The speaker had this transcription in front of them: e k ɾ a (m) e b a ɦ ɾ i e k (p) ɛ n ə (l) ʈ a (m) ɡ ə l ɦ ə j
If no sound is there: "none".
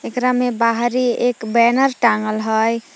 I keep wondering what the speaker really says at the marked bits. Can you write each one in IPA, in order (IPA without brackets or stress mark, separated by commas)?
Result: m, b, ɾ, ŋ